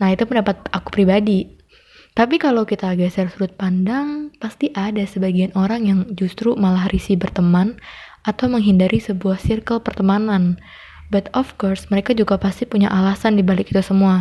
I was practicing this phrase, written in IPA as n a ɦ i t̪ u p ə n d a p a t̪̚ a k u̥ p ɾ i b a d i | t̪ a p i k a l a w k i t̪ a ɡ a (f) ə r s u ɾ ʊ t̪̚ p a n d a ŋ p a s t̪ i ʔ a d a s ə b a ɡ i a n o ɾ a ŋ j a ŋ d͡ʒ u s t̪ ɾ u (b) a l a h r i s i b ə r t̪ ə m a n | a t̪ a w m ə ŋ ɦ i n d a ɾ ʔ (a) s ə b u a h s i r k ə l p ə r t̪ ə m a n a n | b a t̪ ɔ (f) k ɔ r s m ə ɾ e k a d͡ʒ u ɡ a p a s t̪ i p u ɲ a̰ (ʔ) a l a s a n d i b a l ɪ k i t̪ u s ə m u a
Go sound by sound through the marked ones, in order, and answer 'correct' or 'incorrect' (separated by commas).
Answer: incorrect, incorrect, incorrect, correct, correct